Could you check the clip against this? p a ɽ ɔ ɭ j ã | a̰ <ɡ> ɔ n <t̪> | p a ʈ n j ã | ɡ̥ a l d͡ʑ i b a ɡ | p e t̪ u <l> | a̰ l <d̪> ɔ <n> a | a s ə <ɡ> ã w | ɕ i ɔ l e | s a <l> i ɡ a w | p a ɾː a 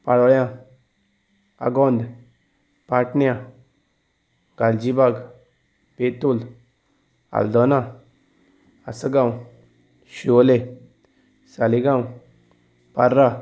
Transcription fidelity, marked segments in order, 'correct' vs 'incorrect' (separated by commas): correct, incorrect, correct, correct, correct, correct, correct